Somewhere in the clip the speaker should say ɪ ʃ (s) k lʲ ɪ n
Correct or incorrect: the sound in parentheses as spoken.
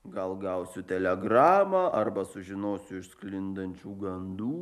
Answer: correct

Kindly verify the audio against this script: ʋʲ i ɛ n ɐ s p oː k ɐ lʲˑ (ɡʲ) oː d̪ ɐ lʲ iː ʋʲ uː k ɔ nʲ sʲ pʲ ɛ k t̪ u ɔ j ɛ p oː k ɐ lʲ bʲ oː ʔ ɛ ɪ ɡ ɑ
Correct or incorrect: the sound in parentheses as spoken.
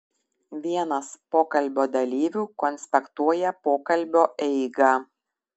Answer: incorrect: bʲ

